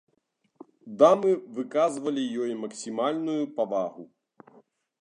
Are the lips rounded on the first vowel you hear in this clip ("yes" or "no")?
no